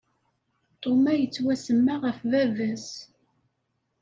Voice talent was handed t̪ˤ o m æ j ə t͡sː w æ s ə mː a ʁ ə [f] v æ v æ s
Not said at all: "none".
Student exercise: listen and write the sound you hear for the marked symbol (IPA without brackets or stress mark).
f